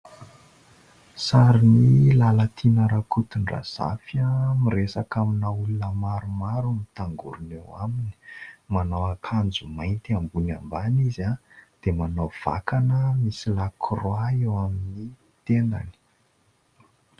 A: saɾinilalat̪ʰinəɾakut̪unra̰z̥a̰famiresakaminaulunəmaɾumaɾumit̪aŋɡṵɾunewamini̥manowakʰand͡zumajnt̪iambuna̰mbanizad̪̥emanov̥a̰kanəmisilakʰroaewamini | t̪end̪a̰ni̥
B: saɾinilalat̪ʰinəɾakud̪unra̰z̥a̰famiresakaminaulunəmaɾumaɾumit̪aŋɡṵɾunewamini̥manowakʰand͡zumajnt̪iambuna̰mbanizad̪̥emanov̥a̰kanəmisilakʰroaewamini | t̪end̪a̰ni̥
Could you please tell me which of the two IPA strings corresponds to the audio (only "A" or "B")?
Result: A